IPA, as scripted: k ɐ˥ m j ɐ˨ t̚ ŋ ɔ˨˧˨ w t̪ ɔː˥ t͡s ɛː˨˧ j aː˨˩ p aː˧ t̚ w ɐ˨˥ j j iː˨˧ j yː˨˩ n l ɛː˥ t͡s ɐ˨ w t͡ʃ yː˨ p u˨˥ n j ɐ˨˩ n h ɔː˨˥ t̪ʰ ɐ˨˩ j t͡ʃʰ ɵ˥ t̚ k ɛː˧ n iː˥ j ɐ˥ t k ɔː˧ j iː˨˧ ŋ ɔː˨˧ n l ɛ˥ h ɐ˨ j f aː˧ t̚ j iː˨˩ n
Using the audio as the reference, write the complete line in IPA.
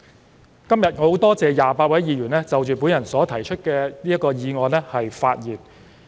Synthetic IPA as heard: k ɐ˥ m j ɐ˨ t̚ ŋ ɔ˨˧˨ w t̪ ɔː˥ t͡s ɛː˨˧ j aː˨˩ p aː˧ t̚ w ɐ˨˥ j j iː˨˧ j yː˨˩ n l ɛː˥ t͡s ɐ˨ w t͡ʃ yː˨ p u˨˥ n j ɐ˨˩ n s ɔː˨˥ t̪ʰ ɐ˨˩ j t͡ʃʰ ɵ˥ t̚ k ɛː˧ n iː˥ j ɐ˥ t k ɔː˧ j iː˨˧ ŋ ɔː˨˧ n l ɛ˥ h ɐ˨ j f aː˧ t̚ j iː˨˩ n